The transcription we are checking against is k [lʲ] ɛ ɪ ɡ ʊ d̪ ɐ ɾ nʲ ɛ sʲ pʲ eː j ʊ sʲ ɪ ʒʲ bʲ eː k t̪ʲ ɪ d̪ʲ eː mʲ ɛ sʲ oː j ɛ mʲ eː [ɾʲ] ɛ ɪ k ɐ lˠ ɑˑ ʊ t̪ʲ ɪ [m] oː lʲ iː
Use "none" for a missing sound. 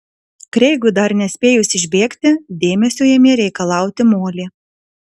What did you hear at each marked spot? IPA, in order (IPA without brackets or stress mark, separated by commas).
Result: ɾʲ, ɾʲ, m